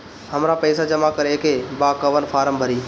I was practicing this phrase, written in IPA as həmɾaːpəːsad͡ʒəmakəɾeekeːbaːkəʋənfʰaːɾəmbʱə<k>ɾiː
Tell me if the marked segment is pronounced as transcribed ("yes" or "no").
no